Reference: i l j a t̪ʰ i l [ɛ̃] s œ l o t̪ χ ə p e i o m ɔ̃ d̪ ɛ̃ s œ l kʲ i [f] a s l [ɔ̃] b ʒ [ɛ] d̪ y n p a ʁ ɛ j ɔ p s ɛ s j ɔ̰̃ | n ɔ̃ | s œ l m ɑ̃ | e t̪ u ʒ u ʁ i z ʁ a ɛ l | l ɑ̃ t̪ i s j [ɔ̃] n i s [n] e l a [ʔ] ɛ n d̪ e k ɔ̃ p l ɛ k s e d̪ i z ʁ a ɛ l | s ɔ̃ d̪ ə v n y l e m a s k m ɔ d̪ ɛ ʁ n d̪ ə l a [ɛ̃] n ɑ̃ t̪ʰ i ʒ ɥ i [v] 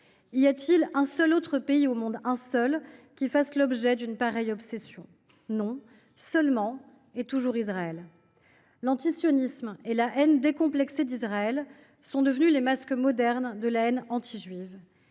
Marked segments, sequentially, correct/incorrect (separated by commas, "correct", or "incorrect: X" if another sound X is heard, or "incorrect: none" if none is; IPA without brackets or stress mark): correct, correct, incorrect: ɔ, correct, incorrect: ɔ, incorrect: m, correct, incorrect: ɛ, correct